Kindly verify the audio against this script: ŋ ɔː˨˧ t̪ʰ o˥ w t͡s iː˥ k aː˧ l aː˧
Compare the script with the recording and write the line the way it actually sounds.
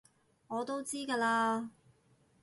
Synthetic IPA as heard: ŋ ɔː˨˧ t̪ o˥ w t͡s iː˥ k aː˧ l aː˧